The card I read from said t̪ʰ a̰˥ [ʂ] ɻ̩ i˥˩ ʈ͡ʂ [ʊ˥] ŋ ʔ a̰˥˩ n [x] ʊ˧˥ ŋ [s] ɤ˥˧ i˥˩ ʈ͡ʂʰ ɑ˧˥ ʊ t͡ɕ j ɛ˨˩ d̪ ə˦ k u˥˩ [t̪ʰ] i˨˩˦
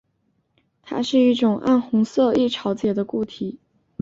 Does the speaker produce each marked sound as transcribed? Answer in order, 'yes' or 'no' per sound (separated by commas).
yes, no, yes, yes, yes